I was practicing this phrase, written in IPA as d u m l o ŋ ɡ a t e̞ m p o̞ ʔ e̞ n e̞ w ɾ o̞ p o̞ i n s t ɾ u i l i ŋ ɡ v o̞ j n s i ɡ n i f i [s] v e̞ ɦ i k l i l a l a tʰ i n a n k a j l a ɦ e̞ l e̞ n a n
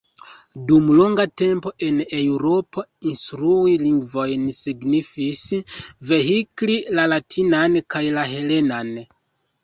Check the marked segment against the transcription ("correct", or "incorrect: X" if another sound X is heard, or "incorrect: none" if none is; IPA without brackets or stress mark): correct